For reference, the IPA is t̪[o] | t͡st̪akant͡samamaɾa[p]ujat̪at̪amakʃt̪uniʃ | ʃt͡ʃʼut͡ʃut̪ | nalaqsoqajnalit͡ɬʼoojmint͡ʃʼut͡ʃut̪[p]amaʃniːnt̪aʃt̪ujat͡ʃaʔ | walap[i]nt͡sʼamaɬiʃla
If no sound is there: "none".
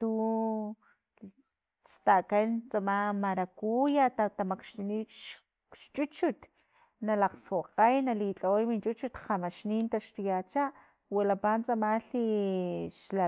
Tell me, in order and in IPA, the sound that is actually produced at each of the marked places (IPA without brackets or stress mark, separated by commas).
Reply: u, k, q, a